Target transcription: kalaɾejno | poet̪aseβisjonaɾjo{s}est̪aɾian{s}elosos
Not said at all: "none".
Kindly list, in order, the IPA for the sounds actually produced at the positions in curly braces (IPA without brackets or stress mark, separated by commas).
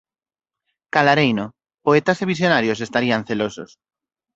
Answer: s, θ